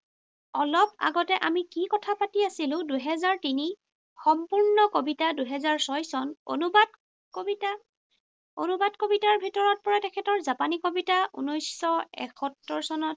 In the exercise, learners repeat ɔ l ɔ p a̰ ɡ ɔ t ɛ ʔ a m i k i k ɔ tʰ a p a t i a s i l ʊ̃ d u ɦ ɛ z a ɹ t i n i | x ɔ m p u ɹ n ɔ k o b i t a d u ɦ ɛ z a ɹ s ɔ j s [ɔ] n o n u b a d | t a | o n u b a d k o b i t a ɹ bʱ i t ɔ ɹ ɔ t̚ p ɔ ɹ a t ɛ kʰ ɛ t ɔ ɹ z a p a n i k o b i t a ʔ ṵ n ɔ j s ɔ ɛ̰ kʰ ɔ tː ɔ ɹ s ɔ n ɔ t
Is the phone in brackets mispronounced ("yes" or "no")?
no